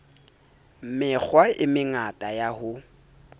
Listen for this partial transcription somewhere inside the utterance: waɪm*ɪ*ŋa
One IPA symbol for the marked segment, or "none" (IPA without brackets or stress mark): ɪ